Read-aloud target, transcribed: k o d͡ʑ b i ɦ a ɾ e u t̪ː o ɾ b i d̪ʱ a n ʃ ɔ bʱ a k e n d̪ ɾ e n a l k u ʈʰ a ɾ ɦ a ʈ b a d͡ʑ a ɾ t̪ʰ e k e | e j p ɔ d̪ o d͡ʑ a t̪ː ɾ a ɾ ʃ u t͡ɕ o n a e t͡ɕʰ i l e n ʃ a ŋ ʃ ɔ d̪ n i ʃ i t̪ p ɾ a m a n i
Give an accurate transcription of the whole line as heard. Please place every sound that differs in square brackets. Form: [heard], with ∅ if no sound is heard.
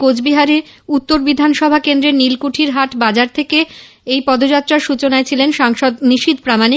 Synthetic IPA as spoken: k o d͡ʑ b i ɦ a ɾ e u t̪ː o ɾ b i d̪ʱ a n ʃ ɔ bʱ a k e n d̪ ɾ e n [i] l k u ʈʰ [i] ɾ ɦ a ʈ b a d͡ʑ a ɾ t̪ʰ e k e | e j p ɔ d̪ o d͡ʑ a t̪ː ɾ a ɾ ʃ u t͡ɕ o n a e t͡ɕʰ i l e n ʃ a ŋ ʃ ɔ d̪ n i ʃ i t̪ p ɾ a m a n i